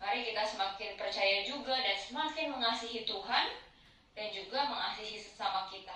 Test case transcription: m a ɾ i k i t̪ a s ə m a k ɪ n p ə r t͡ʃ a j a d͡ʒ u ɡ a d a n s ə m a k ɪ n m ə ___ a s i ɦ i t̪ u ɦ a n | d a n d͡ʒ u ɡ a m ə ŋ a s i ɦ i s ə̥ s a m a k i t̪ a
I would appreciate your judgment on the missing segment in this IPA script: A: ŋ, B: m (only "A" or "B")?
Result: A